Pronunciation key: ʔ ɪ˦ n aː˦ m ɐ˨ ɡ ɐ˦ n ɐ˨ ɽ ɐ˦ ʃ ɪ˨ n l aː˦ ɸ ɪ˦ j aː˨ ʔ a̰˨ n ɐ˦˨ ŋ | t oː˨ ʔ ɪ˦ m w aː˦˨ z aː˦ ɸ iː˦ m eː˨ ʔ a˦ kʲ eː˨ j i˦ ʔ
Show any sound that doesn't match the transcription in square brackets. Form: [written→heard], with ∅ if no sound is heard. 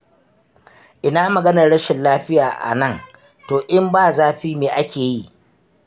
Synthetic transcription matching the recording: ʔ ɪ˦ n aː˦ m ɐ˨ ɡ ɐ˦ n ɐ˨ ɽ ɐ˦ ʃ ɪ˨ n l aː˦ ɸ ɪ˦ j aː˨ ʔ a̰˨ n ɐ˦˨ ŋ | t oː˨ ʔ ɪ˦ m [w→b] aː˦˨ z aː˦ ɸ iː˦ m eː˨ ʔ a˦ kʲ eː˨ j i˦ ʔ